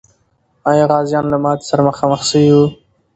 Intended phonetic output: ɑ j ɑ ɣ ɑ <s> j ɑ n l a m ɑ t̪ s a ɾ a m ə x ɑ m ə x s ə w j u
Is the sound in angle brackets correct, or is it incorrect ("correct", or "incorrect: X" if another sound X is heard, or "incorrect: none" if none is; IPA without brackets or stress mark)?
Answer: incorrect: z